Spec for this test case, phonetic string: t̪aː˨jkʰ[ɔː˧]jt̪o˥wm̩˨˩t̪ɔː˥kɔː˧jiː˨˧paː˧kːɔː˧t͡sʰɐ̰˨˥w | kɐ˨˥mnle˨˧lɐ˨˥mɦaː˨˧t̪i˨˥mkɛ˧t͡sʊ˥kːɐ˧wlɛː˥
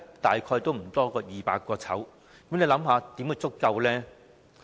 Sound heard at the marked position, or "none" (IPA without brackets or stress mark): ɔː˧